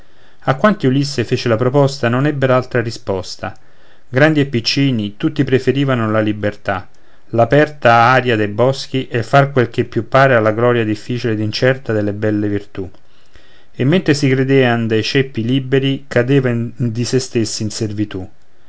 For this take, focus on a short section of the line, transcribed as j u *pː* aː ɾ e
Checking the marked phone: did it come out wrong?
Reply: no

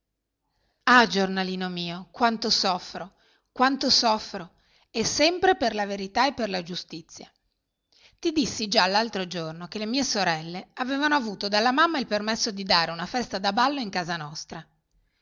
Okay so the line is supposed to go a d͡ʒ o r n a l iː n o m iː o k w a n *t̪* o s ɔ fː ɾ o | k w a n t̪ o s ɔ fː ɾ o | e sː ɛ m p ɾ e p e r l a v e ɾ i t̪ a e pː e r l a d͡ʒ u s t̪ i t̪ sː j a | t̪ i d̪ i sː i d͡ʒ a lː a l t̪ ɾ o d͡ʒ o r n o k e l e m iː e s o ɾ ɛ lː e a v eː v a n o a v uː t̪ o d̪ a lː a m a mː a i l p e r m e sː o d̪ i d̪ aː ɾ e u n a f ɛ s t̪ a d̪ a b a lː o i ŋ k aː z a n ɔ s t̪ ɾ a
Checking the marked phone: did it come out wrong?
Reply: no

